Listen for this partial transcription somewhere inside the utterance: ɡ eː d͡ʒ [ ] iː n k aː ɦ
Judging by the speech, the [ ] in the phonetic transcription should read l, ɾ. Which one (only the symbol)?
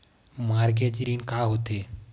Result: ɾ